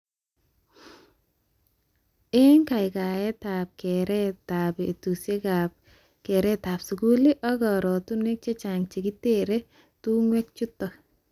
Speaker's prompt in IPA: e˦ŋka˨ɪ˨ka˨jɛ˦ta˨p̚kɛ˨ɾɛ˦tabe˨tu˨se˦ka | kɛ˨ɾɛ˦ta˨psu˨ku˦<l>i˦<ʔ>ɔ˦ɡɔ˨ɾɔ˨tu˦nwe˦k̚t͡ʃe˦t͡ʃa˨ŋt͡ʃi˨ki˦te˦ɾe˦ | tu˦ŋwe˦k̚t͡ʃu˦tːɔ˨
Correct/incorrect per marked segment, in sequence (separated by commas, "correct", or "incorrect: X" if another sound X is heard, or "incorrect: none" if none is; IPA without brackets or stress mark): correct, correct